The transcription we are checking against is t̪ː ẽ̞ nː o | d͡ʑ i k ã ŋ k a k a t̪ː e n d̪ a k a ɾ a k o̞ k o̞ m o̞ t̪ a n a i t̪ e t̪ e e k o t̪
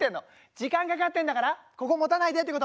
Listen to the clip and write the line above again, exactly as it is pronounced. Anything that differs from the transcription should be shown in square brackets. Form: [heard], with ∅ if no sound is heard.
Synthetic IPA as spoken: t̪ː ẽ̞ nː o | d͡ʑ i k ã ŋ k a k a t̪ː e n d̪ a k a ɾ a k o̞ k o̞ m o̞ t̪ a n a i [d̪] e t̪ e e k o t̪